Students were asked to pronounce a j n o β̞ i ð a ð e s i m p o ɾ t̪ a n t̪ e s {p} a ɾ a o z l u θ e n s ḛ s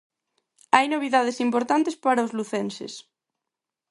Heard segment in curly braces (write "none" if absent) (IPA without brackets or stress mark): p